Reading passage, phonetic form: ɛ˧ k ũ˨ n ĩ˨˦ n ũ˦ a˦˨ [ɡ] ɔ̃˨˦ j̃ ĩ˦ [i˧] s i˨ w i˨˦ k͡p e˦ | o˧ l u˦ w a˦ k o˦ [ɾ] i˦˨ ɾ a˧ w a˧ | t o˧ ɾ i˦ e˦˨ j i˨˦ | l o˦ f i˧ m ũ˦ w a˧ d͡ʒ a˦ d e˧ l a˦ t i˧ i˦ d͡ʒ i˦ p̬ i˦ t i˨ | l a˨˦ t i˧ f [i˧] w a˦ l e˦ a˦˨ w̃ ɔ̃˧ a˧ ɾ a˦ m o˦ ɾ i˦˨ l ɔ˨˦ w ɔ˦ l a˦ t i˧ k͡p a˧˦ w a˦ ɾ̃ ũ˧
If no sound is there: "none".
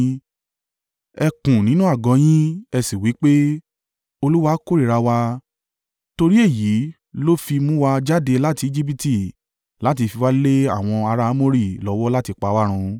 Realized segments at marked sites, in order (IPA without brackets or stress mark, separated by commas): ɡ, ɛ˧, ɾ, i˧